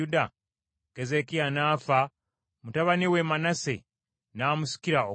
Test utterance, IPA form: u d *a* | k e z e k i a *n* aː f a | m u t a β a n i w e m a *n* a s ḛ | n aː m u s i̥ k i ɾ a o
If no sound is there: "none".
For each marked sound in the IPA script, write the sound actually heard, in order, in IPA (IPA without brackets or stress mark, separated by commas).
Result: a, n, n